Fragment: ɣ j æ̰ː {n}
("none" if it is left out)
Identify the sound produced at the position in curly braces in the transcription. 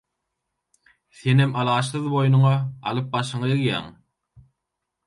ŋ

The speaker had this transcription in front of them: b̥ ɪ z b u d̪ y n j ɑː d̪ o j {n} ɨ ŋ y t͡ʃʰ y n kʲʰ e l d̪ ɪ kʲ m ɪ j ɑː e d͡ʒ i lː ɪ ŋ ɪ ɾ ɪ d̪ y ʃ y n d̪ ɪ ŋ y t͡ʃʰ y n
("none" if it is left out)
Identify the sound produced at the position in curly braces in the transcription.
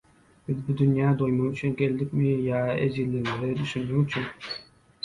m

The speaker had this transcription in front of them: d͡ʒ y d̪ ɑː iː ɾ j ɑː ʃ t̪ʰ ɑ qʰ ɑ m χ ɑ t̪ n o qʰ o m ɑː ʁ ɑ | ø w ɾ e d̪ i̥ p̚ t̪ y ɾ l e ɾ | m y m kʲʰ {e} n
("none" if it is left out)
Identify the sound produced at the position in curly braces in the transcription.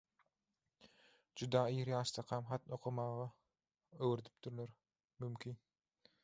i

